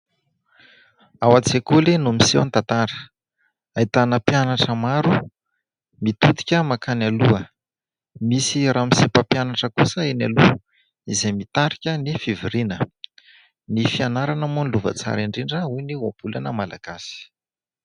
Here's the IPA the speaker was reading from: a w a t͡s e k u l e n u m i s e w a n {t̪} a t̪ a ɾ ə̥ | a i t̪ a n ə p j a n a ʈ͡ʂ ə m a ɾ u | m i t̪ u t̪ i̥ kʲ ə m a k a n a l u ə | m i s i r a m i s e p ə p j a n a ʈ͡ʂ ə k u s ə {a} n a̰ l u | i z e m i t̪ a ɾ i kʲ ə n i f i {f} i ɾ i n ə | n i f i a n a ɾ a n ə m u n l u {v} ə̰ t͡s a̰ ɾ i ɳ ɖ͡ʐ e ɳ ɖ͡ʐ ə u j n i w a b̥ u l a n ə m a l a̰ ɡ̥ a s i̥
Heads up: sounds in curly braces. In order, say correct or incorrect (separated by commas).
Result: correct, incorrect, incorrect, correct